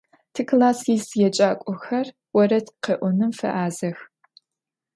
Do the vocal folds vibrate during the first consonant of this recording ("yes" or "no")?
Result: no